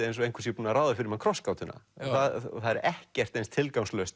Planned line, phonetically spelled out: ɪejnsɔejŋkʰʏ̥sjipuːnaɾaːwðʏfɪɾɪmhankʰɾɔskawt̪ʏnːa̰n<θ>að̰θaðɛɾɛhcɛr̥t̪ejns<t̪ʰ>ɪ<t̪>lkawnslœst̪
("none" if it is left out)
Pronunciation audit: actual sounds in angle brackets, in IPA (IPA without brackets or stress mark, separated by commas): θ, t̪ʰ, none